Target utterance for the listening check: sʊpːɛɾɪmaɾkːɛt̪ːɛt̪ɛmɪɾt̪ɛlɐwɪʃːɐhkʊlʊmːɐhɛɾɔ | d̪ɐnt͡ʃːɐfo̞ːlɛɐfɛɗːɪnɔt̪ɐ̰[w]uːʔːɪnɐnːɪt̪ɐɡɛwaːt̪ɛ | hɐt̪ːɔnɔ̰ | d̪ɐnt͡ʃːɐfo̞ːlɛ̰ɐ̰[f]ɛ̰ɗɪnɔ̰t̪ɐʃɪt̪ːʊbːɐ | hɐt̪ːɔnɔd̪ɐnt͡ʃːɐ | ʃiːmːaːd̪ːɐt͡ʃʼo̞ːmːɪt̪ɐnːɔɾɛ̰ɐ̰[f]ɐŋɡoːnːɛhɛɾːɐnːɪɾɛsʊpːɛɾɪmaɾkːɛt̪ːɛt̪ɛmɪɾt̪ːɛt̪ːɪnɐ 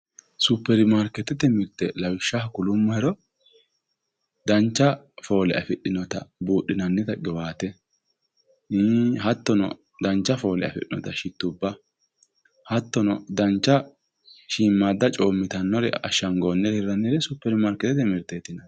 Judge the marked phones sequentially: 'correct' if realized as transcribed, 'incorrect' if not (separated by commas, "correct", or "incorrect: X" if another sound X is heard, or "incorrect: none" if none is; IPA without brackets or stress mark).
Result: incorrect: b, correct, incorrect: ʃ